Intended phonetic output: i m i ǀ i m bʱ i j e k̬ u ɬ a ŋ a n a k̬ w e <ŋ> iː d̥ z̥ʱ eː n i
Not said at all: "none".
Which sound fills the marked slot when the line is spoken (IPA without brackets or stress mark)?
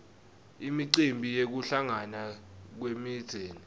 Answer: m